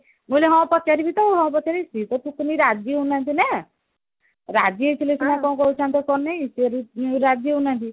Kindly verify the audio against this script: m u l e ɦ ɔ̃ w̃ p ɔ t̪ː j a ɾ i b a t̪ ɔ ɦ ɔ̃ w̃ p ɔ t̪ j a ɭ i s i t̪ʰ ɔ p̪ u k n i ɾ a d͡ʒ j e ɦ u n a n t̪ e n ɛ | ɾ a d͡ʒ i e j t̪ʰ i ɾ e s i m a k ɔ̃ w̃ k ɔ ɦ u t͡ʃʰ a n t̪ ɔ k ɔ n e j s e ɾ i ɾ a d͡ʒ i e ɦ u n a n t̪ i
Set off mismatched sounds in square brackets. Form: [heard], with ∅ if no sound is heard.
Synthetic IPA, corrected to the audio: m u l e ɦ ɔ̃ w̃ p ɔ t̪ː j a ɾ i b [i] t̪ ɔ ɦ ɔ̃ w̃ p ɔ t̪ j a [ɾ] i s i [t̪] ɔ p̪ u k n i ɾ a d͡ʒ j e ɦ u n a n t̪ [i] n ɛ | ɾ a d͡ʒ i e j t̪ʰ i [l] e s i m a k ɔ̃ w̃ k ɔ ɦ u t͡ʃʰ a n t̪ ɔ k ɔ n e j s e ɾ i ɾ a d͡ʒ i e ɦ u n a n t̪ i